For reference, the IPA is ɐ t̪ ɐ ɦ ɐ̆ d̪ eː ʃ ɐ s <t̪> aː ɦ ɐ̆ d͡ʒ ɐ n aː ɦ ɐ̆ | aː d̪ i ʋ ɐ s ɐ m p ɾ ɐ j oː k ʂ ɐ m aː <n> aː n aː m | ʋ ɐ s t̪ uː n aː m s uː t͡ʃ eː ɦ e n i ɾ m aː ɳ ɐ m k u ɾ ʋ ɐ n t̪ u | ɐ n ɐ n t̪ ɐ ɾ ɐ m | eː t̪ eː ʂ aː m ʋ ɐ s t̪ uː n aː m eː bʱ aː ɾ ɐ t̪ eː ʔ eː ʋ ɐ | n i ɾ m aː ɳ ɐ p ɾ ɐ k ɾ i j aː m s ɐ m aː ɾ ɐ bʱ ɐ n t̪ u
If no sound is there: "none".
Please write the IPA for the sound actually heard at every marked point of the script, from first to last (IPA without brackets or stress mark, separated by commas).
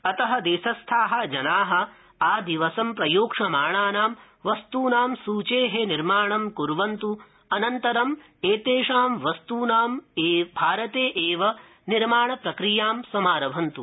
t̪ʰ, ɳ